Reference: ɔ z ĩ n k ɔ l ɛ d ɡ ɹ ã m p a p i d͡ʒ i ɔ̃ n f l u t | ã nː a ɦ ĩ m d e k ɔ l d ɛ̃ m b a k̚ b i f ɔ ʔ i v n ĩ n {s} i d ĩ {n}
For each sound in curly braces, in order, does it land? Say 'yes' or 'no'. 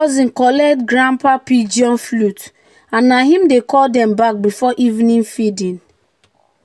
no, yes

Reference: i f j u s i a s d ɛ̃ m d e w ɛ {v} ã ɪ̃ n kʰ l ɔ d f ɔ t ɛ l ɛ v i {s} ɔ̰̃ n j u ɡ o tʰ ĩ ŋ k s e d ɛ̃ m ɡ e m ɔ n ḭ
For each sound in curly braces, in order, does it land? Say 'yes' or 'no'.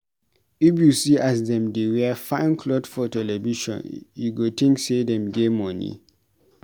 no, no

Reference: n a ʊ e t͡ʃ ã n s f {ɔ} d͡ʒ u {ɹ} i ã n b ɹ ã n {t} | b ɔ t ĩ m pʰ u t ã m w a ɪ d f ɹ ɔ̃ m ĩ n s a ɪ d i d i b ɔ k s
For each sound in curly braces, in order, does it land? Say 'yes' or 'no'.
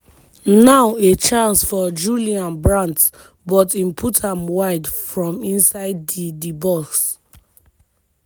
yes, no, yes

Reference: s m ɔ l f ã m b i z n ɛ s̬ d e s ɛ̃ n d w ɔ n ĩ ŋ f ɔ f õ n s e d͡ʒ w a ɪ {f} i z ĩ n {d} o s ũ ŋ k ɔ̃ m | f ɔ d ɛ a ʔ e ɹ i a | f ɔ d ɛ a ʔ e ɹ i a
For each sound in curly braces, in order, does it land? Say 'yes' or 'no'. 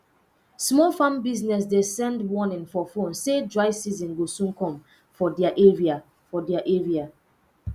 no, no

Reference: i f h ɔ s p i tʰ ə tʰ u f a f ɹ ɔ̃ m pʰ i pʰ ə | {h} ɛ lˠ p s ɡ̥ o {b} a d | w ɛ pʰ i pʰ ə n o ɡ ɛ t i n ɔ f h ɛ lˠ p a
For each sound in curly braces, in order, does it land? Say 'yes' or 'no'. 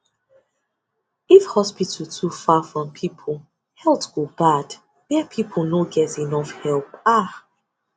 yes, yes

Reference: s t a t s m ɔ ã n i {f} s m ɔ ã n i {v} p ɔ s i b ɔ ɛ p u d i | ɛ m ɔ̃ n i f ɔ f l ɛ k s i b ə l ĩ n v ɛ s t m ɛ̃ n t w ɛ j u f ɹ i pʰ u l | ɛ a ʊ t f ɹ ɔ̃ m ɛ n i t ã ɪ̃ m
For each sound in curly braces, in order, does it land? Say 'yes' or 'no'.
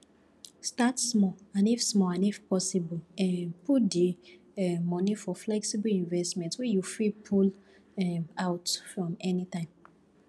yes, no

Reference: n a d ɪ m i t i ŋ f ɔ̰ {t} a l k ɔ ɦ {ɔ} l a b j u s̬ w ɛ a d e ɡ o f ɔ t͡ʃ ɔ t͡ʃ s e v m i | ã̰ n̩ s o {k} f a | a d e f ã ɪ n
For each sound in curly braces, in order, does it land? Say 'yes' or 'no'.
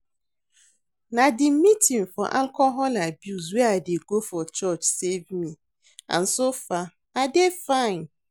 no, yes, no

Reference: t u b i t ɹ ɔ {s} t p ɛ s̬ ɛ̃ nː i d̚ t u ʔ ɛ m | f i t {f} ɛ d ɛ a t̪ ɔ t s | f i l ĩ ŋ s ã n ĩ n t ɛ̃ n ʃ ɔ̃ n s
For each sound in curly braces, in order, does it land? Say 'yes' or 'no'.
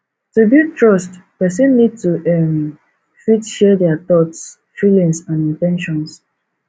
yes, no

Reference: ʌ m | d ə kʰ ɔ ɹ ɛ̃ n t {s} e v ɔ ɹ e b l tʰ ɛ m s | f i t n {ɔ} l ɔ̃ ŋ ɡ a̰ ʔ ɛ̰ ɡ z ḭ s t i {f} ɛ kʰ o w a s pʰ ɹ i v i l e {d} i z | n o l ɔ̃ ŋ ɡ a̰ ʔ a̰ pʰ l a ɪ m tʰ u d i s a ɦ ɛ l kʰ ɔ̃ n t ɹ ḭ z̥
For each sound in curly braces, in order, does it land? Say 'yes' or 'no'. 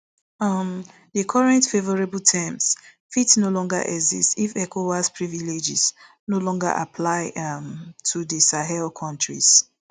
no, no, yes, no

